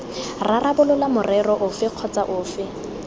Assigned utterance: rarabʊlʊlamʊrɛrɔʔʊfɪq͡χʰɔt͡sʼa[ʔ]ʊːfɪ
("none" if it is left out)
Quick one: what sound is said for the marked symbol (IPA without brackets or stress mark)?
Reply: ʔ